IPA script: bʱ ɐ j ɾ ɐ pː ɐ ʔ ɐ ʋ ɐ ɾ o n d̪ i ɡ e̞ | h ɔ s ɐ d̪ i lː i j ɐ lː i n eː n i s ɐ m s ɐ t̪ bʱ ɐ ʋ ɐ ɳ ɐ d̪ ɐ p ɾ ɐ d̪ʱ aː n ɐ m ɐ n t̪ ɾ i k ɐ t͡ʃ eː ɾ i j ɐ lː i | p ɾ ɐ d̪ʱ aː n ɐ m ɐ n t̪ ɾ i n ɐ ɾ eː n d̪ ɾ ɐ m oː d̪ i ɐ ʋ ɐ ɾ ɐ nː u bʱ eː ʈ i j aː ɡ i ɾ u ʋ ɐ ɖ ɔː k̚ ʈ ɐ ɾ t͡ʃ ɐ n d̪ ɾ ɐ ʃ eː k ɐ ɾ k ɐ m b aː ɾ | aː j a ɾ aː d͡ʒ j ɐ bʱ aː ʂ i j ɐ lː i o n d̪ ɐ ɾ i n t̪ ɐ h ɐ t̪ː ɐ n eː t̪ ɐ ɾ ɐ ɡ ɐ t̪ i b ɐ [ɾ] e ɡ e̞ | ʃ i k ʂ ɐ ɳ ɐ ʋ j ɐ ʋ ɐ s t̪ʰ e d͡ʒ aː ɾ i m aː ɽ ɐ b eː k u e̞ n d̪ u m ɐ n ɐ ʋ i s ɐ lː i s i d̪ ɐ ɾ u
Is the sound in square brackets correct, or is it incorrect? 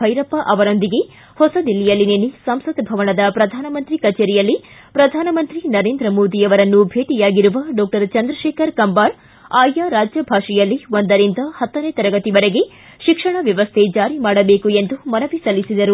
correct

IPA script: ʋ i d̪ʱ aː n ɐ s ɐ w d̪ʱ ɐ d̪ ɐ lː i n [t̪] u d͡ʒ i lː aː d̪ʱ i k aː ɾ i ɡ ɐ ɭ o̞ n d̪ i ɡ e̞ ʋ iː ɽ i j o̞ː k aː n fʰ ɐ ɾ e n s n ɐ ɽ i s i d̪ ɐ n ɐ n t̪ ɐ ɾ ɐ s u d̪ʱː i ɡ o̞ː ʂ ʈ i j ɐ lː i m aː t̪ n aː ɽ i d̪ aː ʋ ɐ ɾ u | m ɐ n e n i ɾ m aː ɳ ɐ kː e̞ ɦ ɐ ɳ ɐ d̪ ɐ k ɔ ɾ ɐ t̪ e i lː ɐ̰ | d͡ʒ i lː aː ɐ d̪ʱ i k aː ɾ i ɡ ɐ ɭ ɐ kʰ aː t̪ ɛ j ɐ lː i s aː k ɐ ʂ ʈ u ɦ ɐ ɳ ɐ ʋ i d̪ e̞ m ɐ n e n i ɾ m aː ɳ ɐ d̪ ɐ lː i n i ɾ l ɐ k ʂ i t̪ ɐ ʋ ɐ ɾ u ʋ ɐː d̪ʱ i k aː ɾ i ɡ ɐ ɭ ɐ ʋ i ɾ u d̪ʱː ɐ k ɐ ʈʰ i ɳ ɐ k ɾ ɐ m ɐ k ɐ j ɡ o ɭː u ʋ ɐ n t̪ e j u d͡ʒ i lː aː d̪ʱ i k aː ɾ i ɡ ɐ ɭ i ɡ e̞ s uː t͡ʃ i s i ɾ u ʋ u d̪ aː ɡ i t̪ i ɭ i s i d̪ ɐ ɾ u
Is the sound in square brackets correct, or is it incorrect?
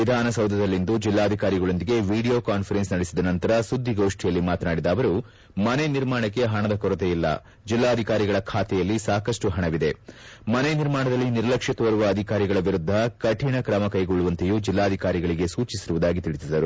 incorrect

